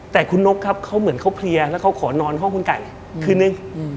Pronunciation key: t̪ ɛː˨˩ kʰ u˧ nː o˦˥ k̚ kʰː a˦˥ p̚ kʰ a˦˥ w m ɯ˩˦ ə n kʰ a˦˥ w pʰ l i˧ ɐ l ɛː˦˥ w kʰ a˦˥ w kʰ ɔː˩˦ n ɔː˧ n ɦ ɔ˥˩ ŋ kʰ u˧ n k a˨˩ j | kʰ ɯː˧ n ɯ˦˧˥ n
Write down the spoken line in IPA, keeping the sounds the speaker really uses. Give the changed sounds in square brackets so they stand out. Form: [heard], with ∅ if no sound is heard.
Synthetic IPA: t̪ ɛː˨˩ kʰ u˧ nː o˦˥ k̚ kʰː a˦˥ p̚ kʰ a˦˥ w m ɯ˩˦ ə n kʰ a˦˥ w pʰ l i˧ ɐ l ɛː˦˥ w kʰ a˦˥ w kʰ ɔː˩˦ n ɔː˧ n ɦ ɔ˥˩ ŋ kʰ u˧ n k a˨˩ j | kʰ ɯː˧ n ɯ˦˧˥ [ŋ]